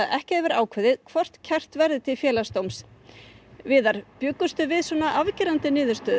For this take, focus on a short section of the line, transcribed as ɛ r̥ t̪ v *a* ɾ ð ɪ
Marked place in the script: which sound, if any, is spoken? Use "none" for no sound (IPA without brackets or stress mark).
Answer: ɛ